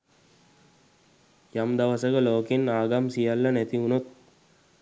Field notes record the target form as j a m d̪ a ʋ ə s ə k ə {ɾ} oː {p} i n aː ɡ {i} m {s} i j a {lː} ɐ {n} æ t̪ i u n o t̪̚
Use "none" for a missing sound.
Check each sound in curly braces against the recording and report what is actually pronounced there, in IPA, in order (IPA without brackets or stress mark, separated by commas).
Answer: l, k, a, s, lː, n